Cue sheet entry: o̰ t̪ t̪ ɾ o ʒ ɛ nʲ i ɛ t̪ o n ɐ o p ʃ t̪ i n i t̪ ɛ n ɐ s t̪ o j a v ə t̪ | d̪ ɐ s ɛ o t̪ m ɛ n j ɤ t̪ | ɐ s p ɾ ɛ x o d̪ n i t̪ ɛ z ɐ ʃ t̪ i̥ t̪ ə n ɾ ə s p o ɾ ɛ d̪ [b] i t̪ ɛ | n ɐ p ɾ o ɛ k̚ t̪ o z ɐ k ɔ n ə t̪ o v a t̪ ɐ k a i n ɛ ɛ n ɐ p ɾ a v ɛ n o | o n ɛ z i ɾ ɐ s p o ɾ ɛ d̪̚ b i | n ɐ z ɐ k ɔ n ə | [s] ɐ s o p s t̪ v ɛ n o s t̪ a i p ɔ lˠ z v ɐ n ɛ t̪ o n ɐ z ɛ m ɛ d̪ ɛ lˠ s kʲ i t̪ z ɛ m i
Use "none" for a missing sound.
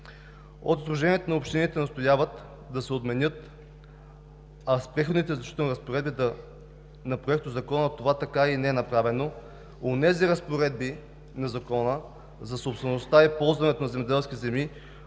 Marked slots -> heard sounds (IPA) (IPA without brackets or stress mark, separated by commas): b, z